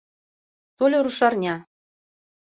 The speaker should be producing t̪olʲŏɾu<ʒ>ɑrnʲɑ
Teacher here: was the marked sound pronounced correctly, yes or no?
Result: no